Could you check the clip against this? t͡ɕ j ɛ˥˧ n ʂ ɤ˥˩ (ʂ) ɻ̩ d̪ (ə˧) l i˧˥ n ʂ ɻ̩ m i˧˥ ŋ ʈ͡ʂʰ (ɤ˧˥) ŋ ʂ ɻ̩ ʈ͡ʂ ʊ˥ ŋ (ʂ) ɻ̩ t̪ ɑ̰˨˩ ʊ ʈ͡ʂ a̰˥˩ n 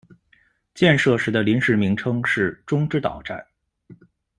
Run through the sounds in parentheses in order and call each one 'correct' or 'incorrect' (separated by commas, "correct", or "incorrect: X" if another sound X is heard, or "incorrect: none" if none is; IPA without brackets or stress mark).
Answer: correct, correct, incorrect: ɤ˥, incorrect: ʈ͡ʂ